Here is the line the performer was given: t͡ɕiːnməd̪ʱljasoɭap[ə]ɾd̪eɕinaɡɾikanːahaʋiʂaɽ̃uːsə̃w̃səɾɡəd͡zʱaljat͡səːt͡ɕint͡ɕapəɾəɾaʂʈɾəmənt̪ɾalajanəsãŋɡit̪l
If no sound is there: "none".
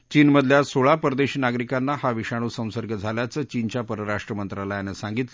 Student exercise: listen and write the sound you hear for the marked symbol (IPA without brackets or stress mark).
ə